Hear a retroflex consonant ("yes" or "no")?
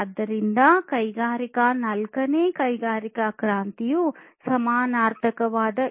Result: no